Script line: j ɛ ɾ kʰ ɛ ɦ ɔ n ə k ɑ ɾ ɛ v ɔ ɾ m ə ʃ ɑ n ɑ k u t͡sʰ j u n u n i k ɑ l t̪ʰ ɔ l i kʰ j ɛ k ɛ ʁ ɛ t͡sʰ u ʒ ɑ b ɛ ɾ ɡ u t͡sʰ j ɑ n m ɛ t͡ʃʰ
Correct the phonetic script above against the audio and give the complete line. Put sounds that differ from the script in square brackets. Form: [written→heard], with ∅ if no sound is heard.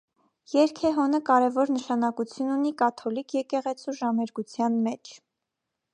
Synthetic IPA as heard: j ɛ ɾ kʰ ɛ ɦ ɔ n ə k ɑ ɾ ɛ v ɔ ɾ [m→n] ə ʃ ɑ n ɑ k u t͡sʰ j u n u n i k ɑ [l→∅] t̪ʰ ɔ l i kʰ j ɛ k ɛ ʁ ɛ t͡sʰ u ʒ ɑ [b→m] ɛ ɾ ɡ u t͡sʰ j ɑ n m ɛ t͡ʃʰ